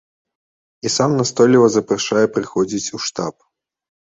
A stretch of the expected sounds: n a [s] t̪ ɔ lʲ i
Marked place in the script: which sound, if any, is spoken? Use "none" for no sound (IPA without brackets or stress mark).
s